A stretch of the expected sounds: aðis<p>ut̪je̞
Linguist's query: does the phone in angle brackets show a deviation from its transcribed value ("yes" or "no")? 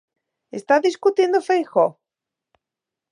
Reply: yes